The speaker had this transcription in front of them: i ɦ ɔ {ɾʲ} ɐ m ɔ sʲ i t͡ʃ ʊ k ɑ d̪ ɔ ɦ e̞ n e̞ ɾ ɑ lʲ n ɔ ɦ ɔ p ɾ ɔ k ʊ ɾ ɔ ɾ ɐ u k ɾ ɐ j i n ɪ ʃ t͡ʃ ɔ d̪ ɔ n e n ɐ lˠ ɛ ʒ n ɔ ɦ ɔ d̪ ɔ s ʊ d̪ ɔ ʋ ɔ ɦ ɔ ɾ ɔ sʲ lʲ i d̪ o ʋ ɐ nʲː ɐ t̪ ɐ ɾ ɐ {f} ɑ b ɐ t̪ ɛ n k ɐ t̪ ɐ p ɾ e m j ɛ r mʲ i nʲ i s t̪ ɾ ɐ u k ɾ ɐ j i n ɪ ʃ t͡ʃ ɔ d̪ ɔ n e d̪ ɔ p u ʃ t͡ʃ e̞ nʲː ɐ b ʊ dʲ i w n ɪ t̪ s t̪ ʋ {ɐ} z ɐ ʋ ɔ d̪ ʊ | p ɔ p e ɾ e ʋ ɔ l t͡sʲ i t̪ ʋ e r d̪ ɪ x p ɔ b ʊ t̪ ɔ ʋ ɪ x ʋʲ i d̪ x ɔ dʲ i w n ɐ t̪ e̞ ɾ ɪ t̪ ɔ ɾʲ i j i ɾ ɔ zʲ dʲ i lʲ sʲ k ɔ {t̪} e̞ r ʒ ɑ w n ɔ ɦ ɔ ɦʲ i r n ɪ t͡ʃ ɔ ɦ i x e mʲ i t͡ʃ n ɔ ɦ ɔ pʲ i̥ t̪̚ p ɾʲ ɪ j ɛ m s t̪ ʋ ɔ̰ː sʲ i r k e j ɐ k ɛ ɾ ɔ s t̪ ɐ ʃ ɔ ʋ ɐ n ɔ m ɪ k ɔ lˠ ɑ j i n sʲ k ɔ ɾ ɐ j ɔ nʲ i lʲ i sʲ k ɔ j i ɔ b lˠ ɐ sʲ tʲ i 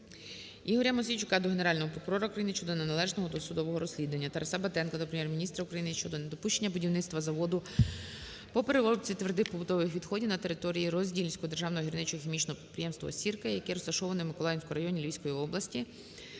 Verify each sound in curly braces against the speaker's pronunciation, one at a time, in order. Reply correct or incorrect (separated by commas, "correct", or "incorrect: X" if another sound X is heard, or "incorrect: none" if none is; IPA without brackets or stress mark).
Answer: correct, incorrect: s, correct, incorrect: d̪